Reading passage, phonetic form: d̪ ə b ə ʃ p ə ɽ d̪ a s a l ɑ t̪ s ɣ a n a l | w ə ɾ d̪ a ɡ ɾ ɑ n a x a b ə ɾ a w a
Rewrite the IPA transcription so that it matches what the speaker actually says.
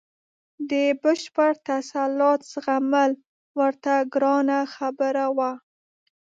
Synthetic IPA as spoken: d̪ ə b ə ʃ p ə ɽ t̪ a s a l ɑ t̪ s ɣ a m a l | w ə ɾ t̪ a ɡ ɾ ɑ n a x a b ə ɾ a w a

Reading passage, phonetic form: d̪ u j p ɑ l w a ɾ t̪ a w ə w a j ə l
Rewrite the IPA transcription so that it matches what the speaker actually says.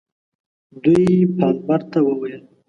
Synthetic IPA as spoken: d̪ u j p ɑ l b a ɾ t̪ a w ə w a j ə l

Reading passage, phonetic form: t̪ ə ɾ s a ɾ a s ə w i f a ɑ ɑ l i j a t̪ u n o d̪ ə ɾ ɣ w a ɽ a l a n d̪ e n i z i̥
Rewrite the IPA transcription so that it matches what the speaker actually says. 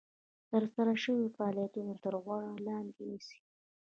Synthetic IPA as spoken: t̪ ə ɾ s a ɾ a ʃ ə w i f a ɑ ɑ l i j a t̪ u n o t̪ ə ɾ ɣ w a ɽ a l ɑ n d̪ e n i s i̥

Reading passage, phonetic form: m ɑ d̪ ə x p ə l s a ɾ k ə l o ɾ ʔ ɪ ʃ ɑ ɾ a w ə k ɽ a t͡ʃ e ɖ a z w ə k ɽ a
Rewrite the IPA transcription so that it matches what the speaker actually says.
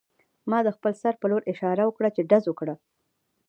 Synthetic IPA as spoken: m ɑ d̪ ə x p ə l s a ɾ p ə l o ɾ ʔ ɪ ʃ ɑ ɾ a w ə k ɽ a t͡ʃ e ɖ a z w ə k ɽ a

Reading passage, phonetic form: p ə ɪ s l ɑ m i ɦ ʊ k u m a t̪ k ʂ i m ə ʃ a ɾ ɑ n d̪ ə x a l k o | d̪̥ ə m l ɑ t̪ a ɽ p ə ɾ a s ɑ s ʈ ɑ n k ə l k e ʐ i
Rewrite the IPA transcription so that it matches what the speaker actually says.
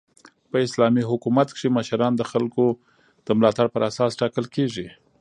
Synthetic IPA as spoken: p ə ɪ s l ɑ m i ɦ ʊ k u m a t̪ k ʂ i m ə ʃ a ɾ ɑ n d̪ ə x a l k o | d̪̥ ə m l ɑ t̪ a ɽ p ə ɾ a s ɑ s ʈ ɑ k ə l k e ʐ i

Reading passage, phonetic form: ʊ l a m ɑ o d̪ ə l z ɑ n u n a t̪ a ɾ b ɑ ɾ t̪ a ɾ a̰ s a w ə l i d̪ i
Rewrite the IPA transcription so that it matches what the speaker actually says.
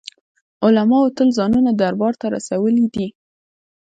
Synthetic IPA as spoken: ʊ l a m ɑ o t̪ ə l z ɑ n u n a d̪ a ɾ b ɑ ɾ t̪ a ɾ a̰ s a w ə l i d̪ i

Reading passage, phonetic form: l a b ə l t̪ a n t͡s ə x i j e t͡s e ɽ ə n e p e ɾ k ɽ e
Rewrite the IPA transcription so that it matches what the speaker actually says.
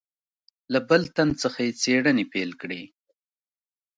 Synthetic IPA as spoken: l a b ə l t̪ a n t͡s ə x a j e t͡s e ɽ ə n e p e l k ɽ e

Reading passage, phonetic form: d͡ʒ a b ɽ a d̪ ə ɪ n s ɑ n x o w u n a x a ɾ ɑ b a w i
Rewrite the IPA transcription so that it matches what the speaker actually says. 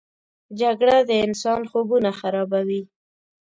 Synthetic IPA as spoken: d͡ʒ a ɡ ɽ a d̪ ə ɪ n s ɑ n x o b u n a x a ɾ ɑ b a w i

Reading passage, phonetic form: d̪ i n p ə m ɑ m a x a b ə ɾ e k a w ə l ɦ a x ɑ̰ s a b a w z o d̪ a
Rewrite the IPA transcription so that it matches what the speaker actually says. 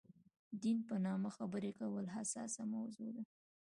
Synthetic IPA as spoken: d̪ i n p ə n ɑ m a x a b ə ɾ e k a w ə l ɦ a s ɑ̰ s a m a w z o d̪ a

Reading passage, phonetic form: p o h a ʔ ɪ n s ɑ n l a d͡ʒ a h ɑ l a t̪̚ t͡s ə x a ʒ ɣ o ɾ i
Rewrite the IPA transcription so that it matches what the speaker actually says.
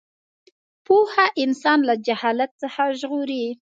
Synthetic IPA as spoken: p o h a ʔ ɪ n s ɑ n l a d͡ʒ a h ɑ l a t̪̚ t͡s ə x a ʒ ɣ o ɾ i

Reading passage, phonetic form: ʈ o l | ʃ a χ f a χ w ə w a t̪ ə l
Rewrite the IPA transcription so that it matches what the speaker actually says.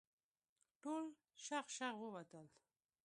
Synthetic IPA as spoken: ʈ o l | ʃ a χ ʃ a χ w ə w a t̪ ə l

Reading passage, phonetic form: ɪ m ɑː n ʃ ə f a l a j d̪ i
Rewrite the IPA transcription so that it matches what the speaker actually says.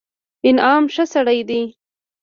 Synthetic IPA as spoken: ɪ n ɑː m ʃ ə s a ɽ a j d̪ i

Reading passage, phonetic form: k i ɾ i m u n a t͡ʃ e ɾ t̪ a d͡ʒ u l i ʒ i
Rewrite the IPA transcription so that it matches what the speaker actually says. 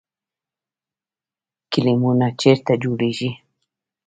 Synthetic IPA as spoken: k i l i m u n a t͡ʃ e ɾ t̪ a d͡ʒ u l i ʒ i

